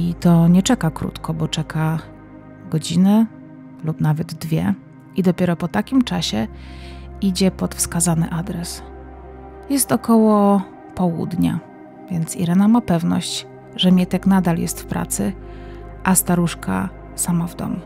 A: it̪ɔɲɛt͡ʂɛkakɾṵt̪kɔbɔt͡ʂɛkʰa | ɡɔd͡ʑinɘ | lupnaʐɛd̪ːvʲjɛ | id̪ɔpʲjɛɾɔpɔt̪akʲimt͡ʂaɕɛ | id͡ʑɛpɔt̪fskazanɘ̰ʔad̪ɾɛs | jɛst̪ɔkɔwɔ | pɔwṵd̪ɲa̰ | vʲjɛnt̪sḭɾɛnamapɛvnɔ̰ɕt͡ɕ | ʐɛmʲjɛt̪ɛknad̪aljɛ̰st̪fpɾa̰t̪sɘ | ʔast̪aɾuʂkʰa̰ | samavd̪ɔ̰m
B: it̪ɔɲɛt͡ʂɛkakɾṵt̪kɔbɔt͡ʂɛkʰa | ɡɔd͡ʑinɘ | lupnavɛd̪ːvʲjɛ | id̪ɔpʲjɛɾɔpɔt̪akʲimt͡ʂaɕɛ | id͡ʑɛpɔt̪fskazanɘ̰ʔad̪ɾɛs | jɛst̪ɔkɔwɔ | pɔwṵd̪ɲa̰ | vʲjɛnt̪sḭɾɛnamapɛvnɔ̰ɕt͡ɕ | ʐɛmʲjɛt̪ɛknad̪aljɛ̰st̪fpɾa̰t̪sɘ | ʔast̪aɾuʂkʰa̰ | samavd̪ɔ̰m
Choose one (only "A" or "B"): B